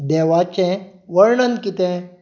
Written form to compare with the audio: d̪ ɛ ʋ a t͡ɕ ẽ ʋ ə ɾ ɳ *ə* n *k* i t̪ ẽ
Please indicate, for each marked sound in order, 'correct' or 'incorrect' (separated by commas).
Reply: correct, correct